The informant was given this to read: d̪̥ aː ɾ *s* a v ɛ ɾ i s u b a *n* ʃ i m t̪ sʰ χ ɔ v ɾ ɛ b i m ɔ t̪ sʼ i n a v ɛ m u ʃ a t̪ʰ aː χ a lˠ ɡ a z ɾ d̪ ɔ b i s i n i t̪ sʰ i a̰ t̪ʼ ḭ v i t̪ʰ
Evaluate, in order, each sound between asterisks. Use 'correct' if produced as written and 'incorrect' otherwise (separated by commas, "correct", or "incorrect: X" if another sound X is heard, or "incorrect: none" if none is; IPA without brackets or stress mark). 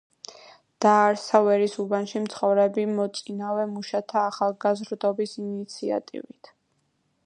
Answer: correct, correct